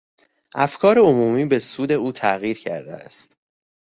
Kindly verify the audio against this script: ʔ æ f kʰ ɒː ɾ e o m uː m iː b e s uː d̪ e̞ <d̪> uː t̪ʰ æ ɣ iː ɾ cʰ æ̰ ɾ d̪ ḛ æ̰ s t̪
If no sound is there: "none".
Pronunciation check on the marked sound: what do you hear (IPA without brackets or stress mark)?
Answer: none